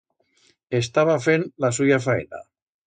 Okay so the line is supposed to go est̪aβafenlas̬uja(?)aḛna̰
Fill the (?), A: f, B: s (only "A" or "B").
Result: A